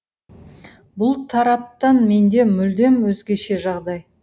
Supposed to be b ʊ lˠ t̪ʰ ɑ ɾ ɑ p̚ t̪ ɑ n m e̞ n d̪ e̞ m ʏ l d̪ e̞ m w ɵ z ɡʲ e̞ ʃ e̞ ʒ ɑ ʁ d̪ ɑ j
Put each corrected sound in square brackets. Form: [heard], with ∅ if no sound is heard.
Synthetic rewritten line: b ʊ lˠ t̪ʰ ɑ ɾ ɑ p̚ t̪ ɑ n m e̞ n d̪ e̞ m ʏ l d̪ e̞ m w ɵ z ɡʲ e̞ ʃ e̞ ʒ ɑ ʁ d̪ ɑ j

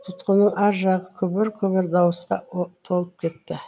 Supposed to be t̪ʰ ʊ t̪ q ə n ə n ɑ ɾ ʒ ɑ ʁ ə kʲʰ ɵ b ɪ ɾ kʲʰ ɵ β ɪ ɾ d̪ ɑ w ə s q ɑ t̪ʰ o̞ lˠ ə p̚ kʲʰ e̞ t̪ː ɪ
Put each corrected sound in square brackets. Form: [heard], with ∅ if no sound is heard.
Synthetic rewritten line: t̪ʰ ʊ t̪ q ə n ə [ɴ] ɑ ɾ ʒ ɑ ʁ ə kʲʰ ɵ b ɪ ɾ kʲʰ ɵ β ɪ ɾ d̪ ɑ w ə s q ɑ t̪ʰ o̞ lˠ ə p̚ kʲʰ e̞ t̪ː ɪ

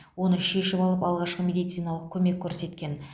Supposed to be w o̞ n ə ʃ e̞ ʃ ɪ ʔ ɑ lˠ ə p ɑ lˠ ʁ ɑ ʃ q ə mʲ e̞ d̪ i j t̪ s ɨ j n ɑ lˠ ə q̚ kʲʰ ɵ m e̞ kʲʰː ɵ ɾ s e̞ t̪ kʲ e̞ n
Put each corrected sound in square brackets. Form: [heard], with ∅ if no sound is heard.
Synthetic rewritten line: w o̞ n ə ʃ e̞ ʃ ɪ [p] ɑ lˠ ə p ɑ lˠ ʁ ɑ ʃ q ə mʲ e̞ d̪ i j t̪ s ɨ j n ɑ lˠ ə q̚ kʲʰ ɵ m e̞ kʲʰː ɵ ɾ s e̞ t̪ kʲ e̞ n

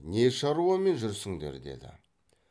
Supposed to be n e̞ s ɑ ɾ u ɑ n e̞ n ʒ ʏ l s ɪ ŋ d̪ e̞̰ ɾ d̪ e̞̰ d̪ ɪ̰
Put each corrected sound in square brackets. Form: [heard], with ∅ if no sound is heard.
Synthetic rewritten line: n e̞ [ʃ] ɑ ɾ u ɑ [m] e̞ n ʒ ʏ [ɾ] s ɪ ŋ d̪ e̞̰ ɾ d̪ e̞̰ d̪ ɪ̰

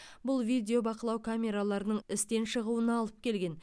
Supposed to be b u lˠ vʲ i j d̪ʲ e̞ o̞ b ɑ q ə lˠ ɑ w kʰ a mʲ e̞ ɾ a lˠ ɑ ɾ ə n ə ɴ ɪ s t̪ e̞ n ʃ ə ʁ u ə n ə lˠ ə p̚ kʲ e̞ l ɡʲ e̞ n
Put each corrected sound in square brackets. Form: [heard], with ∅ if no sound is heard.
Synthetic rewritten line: b [ʊ] lˠ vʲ i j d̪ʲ e̞ o̞ b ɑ q ə lˠ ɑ w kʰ a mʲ e̞ ɾ a lˠ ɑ ɾ ə n ə ɴ ɪ s t̪ e̞ n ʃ ə ʁ u ə n [ɑ] lˠ ə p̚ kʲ e̞ l ɡʲ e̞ n

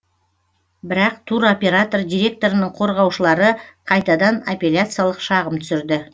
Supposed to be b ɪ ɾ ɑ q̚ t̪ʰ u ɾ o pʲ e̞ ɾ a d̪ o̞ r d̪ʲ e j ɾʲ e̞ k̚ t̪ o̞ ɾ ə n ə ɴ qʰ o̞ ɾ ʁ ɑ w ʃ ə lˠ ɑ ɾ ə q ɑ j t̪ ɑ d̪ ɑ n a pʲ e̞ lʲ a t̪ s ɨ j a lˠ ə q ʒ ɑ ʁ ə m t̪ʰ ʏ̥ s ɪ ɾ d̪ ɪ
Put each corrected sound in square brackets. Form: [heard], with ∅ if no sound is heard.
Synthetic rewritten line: b ɪ ɾ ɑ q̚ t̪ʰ u ɾ o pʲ e̞ ɾ a [t̪] o̞ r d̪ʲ [i] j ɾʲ e̞ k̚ t̪ o̞ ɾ ə n ə ɴ qʰ o̞ ɾ ʁ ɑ w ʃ ə lˠ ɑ ɾ ə [qʰ] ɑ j t̪ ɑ d̪ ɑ n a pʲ e̞ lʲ a t̪ s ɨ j a lˠ ə q [ʃ] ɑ ʁ ə m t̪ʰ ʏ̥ s ɪ ɾ d̪ ɪ

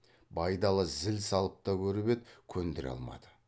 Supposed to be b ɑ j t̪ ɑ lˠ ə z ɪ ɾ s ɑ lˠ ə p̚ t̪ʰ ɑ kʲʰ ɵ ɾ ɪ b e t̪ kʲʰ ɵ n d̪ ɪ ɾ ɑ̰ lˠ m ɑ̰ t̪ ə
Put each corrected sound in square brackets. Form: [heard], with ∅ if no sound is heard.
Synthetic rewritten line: b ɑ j [d̪] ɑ lˠ ə z ɪ [l] s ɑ lˠ ə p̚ [t̪] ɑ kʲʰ ɵ ɾ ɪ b e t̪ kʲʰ ɵ n d̪ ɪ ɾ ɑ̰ lˠ m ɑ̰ [d̪] ə

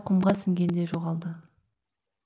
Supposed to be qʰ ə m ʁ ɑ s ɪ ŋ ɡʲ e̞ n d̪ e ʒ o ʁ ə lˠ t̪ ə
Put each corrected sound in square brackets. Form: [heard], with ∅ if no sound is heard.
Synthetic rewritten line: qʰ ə m ʁ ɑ s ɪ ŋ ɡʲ e̞ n d̪ e ʒ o ʁ [ɑ] lˠ [d̪] ə

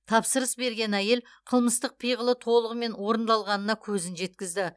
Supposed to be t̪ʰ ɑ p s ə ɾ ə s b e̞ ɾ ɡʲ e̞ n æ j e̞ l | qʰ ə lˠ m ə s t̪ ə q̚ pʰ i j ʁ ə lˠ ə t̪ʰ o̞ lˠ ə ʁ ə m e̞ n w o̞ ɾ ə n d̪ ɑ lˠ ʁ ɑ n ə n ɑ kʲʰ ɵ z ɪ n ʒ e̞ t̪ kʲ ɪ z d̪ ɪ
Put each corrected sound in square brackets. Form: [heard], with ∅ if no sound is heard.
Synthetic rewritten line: t̪ʰ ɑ p s ə ɾ ə s b e̞ ɾ ɡʲ e̞ n æ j e̞ l | qʰ ə lˠ m ə s t̪ ə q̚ pʰ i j ʁ ə lˠ ə t̪ʰ o̞ lˠ ə ʁ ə m e̞ n w o̞ ɾ ə n d̪ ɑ lˠ ʁ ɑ n ə n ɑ kʲʰ ɵ z ɪ n ʒ e̞ t̪ kʲ ɪ z d̪ ɪ

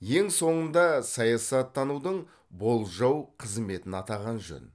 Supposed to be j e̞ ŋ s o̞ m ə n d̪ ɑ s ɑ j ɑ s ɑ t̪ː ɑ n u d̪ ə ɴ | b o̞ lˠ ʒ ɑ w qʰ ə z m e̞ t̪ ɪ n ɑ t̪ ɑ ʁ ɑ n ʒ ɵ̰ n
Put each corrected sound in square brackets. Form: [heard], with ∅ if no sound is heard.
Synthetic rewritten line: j e̞ ŋ s o̞ [ɴ] ə n d̪ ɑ s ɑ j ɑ s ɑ t̪ː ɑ n u d̪ ə ɴ | b o̞ lˠ ʒ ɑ w qʰ ə z m e̞ t̪ ɪ n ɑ t̪ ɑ ʁ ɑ n ʒ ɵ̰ n

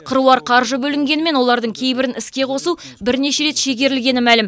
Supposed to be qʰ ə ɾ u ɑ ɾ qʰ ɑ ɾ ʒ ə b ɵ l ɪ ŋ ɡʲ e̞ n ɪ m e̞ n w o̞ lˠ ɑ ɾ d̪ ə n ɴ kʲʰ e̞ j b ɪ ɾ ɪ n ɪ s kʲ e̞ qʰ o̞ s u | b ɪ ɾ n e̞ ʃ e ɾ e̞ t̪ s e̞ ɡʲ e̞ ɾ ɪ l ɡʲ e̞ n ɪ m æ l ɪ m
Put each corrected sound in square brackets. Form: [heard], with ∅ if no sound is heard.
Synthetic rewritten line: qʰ ə ɾ u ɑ ɾ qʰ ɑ ɾ ʒ ə b ɵ l ɪ ŋ ɡʲ e̞ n ɪ m e̞ n w o̞ lˠ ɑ ɾ d̪ ə [∅] ɴ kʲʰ e̞ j b ɪ ɾ ɪ n ɪ s kʲ e̞ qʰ o̞ s u | b ɪ ɾ n e̞ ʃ e ɾ e̞ t̪ [ʃ] e̞ ɡʲ e̞ ɾ ɪ l ɡʲ e̞ n ɪ m æ l ɪ m

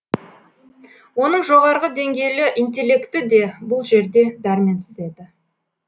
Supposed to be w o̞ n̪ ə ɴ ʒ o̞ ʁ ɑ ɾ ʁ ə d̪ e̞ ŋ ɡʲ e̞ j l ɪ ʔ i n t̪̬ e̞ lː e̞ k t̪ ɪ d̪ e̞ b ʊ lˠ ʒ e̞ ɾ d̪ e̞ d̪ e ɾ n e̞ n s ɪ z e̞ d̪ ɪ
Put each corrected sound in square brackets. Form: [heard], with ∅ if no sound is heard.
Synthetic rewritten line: w o̞ n̪ ə ɴ ʒ o̞ ʁ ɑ ɾ ʁ ə d̪ e̞ ŋ ɡʲ e̞ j l ɪ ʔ i n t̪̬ e̞ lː e̞ k t̪ ɪ d̪ e̞ b ʊ lˠ ʒ e̞ ɾ d̪ e̞ d̪ [æ] ɾ [m] e̞ n s ɪ z e̞ d̪ ɪ

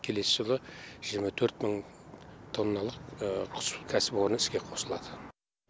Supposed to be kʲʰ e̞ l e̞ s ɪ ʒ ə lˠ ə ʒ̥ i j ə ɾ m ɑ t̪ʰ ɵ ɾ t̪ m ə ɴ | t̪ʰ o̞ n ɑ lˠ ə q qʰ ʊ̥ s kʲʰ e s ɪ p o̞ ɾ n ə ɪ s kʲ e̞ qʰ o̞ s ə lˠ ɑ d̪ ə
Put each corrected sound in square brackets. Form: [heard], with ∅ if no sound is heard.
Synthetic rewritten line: kʲʰ e̞ l e̞ s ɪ ʒ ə lˠ ə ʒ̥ i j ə ɾ m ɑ t̪ʰ ɵ ɾ t̪ m ə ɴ | t̪ʰ o̞ [nː] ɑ lˠ ə q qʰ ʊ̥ s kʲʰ [æ] s ɪ p o̞ ɾ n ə ɪ s kʲ e̞ qʰ o̞ s ə lˠ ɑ d̪ ə

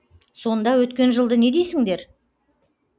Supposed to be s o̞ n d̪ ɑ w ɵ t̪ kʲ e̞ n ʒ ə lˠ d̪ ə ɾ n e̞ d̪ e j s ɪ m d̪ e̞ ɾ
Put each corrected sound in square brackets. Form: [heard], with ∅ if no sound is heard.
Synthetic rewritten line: s o̞ n d̪ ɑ w ɵ t̪ kʲ e̞ n ʒ ə lˠ d̪ ə [∅] n e̞ d̪ e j s ɪ [ŋ] d̪ e̞ ɾ

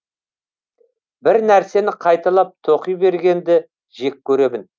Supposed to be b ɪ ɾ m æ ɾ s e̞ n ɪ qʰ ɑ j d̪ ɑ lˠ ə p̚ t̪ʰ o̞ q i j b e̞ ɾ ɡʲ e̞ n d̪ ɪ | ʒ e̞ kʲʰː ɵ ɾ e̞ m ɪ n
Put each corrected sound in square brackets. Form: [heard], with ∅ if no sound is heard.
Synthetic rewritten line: b ɪ ɾ [n] æ ɾ s e̞ n ɪ qʰ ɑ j [t̪] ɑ lˠ [ɑ] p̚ t̪ʰ o̞ q i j b e̞ ɾ ɡʲ e̞ n d̪ ɪ | ʒ e̞ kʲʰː ɵ ɾ e̞ m ɪ n

